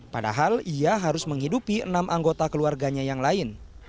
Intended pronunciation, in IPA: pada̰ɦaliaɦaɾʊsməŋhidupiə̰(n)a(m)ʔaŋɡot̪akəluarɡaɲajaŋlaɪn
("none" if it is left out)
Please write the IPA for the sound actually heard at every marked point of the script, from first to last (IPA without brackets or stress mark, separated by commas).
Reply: n, m